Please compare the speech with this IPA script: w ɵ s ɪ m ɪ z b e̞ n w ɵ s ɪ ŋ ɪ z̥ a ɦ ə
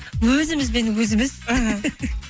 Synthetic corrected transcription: w ɵ z ɪ m ɪ z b e̞ n w ɵ z ɪ m ɪ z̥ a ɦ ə